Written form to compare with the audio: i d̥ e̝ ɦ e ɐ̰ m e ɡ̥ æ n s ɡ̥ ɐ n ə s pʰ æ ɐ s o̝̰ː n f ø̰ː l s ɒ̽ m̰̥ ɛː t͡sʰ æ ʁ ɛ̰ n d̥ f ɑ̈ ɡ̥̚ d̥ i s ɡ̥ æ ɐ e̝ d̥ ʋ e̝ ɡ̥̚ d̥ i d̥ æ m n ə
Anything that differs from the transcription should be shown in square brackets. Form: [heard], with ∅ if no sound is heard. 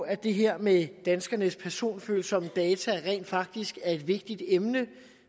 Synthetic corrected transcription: [æ] d̥ e̝ ɦ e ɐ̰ m e [d̥] æ n s ɡ̥ ɐ n ə s pʰ æ ɐ s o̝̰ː n f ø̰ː l s ɒ̽ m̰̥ ɛː t͡sʰ æ ʁ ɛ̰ n d̥ f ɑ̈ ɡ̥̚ d̥ i s ɡ̥ æ ɐ e̝ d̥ ʋ e̝ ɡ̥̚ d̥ i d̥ [e] m n ə